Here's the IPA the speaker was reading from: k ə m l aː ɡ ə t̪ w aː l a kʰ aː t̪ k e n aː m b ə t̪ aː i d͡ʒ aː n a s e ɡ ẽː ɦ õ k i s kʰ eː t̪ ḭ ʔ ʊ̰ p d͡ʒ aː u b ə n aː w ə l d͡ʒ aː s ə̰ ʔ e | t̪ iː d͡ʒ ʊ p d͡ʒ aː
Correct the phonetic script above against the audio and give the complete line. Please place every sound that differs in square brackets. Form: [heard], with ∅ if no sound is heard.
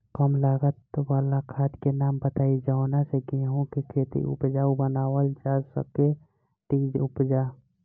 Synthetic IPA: k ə m l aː ɡ ə t̪ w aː l a kʰ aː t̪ k e n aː m b ə t̪ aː i d͡ʒ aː n a s e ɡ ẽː ɦ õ k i [∅] kʰ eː t̪ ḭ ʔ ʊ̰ p d͡ʒ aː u b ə n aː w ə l d͡ʒ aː s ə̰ [k] e | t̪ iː d͡ʒ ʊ p d͡ʒ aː

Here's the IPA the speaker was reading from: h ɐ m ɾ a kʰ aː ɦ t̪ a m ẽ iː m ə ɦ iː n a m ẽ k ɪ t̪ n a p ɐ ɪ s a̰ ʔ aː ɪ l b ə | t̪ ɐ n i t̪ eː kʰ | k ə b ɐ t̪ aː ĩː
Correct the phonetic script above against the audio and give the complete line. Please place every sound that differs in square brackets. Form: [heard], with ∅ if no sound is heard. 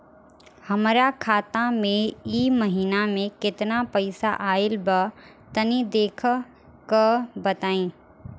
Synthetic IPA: h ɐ m ɾ a kʰ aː [∅] t̪ a m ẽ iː m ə ɦ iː n a m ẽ k ɪ t̪ n a p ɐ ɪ s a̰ ʔ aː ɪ l b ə | t̪ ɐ n i [d̪] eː kʰ | k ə b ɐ t̪ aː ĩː

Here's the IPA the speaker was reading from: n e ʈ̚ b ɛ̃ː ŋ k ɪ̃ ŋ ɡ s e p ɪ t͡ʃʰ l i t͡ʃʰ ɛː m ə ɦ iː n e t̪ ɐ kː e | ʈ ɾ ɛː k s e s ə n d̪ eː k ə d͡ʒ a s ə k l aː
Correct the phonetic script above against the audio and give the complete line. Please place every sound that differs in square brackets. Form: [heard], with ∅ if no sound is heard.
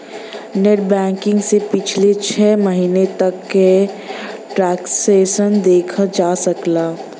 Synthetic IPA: n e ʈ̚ b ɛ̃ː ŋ k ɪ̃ ŋ ɡ s e p ɪ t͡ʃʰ l [e] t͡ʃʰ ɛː m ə ɦ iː n e t̪ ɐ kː e | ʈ ɾ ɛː k s e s ə n d̪ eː [kʰ] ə d͡ʒ a s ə k l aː

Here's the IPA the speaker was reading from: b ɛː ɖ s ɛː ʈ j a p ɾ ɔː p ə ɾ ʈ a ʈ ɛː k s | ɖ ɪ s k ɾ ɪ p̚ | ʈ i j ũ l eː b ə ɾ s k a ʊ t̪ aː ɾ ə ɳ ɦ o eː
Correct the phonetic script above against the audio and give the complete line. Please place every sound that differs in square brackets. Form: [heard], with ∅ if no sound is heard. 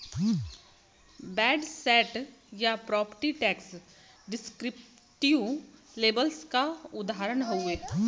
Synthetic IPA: b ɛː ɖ s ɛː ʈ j a p ɾ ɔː p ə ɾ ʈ [i] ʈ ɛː k s | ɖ ɪ s k ɾ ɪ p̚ | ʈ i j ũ l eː b ə [l] s k a ʊ [d̪] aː ɾ ə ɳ ɦ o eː

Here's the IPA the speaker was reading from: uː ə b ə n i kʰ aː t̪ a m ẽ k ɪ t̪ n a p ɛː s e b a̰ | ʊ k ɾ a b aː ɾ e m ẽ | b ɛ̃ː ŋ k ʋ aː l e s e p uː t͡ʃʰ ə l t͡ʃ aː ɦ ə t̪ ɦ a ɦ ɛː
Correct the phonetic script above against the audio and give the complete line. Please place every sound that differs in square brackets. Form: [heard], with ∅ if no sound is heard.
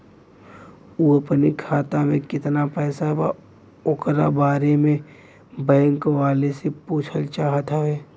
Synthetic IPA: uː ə [p] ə n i kʰ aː t̪ a m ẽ k ɪ t̪ n a p ɛː s [a] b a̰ | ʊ k ɾ a b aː ɾ e m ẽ | b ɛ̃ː ŋ k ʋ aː l e s e p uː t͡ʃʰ ə l t͡ʃ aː ɦ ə t̪ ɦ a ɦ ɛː

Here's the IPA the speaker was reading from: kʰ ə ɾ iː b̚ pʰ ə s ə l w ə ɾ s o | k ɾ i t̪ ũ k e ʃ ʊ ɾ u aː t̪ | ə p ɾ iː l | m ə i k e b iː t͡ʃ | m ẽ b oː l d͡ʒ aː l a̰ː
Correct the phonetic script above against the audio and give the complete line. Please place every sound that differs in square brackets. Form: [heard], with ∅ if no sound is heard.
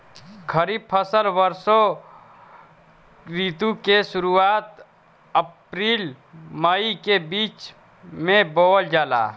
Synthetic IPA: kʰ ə ɾ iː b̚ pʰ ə s ə l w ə ɾ s o | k ɾ i t̪ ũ k e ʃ ʊ ɾ u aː t̪ | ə p ɾ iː l | m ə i k e b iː t͡ʃ | m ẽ b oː l d͡ʒ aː l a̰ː

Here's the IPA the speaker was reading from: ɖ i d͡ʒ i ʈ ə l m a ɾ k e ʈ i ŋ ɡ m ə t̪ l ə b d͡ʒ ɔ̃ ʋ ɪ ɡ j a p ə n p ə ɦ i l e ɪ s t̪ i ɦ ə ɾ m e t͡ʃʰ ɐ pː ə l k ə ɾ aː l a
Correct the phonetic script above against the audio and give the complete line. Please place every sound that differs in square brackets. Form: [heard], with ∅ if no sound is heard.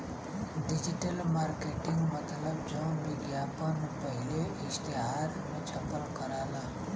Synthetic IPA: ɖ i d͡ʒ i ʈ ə l m a ɾ k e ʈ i ŋ ɡ m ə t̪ l ə b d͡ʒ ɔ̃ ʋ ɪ ɡ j a p ə n p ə ɦ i l e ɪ s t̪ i ɦ [a] ɾ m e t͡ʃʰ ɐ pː ə l k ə ɾ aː l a

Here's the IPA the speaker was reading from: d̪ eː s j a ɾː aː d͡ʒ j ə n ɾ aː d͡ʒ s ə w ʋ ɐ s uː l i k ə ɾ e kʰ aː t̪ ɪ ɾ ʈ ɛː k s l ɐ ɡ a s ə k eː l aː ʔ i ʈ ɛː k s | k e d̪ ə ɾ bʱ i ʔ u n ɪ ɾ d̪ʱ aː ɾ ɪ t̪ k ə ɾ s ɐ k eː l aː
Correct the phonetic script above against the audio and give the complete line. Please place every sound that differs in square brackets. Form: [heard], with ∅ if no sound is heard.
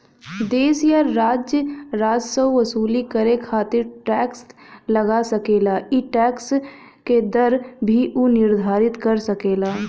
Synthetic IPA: d̪ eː s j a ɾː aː d͡ʒ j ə [∅] ɾ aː d͡ʒ s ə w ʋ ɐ s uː l i k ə ɾ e kʰ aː t̪ ɪ ɾ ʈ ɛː k s l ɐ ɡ a s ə k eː l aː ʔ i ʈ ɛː k s | k e d̪ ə ɾ bʱ i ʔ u n ɪ ɾ d̪ʱ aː ɾ ɪ t̪ k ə ɾ s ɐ k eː l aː

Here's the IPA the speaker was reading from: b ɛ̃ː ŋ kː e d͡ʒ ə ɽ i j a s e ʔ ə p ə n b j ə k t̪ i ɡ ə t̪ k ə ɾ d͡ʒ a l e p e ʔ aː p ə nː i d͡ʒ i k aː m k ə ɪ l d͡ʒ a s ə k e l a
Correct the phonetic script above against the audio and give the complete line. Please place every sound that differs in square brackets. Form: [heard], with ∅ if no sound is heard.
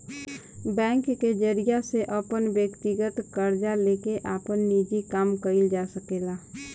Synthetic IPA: b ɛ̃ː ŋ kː e d͡ʒ ə [ɾ] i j a s e ʔ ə p ə n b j ə k t̪ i ɡ ə t̪ k ə ɾ d͡ʒ a l e [k] e ʔ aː p ə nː i d͡ʒ i k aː m k ə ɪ l d͡ʒ a s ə k e l a

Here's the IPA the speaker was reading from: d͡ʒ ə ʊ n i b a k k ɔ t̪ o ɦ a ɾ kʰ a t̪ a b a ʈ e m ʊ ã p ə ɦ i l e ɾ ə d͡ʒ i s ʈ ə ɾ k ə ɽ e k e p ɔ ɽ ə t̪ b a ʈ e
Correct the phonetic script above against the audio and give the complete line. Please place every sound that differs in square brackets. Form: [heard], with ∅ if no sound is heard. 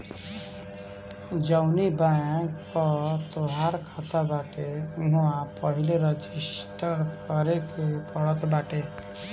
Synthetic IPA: d͡ʒ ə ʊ n i b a k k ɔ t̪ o ɦ a ɾ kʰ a t̪ a b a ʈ e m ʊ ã p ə ɦ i l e ɾ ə d͡ʒ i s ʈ ə ɾ k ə [ɾ] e k e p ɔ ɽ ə t̪ b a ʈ e

